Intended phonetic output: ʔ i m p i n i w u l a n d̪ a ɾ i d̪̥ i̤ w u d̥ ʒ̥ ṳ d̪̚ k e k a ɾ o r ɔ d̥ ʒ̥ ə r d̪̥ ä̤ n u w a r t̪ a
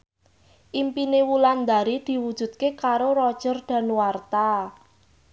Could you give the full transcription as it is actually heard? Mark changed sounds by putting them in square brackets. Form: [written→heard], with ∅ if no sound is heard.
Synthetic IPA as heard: ʔ i m p i n [i→e] w u l a n d̪ a ɾ i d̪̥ i̤ w u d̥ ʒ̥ ṳ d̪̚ k e k a ɾ o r ɔ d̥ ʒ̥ ə r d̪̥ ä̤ n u w a r t̪ a